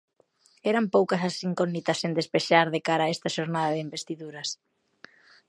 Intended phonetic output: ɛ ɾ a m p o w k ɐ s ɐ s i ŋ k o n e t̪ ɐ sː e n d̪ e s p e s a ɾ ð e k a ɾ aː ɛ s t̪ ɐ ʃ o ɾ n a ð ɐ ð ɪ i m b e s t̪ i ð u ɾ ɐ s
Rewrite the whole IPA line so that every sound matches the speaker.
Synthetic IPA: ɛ ɾ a m p o w k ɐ s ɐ s i ŋ k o n i t̪ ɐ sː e n d̪ e s p e ʃ a ɾ ð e k a ɾ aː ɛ s t̪ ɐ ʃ o ɾ n a ð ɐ ð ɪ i m b e s t̪ i ð u ɾ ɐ s